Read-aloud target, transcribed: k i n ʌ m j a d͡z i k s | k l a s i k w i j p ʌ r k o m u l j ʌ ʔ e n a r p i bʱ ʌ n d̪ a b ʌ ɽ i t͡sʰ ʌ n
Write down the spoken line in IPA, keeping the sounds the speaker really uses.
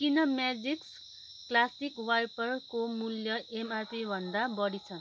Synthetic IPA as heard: k i n ʌ m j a d͡z i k s | k l a s i k w a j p ʌ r k o m u l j ʌ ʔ e m a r p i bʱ ʌ n d̪ a b ʌ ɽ i t͡sʰ ʌ n